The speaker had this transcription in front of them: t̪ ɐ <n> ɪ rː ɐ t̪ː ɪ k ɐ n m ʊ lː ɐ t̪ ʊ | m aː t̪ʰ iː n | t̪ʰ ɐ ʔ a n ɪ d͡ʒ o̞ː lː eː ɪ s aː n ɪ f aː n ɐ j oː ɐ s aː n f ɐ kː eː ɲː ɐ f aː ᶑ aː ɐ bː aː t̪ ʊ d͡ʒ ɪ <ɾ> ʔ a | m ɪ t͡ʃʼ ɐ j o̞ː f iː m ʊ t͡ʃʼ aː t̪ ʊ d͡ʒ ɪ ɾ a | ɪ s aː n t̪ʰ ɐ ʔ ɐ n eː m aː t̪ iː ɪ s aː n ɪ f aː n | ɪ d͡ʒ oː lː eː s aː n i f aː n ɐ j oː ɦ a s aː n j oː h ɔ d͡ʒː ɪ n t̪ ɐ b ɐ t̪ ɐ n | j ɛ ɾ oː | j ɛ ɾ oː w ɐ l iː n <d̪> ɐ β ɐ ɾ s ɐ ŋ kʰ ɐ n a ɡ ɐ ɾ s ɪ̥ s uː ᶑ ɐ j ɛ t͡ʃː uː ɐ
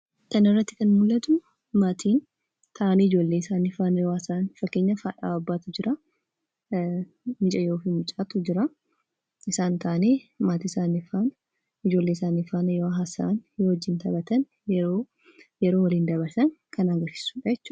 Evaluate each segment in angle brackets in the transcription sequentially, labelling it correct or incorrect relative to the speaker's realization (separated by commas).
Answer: correct, correct, correct